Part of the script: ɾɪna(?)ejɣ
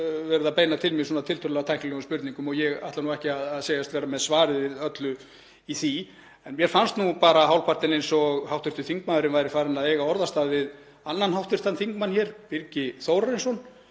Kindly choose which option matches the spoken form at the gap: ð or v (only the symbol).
ð